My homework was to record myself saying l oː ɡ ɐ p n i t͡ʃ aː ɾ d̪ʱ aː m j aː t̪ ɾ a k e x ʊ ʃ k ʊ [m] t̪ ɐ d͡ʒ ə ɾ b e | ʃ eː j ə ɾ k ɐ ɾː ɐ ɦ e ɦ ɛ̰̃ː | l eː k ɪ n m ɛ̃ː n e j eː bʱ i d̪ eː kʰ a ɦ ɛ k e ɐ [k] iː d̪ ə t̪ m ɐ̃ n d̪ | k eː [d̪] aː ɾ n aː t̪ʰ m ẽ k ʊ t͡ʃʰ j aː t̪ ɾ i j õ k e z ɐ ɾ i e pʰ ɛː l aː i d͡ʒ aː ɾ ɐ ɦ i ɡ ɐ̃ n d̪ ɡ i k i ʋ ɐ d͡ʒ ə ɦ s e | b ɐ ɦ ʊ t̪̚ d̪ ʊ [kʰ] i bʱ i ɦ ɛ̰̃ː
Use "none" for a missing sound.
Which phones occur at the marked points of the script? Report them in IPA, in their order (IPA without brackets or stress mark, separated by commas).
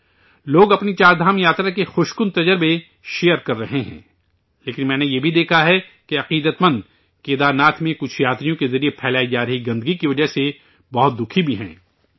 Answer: n, q, d̪, kʰ